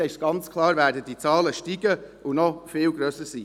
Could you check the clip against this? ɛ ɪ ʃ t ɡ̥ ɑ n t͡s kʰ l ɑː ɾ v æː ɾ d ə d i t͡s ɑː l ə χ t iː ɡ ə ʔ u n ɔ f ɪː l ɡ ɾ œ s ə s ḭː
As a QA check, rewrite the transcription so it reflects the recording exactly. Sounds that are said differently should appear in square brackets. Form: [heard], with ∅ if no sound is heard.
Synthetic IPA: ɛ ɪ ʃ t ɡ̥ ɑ n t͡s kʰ l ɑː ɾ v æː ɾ d ə d i t͡s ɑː l ə [ʃ] t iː ɡ ə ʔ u n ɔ f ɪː l ɡ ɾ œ s ə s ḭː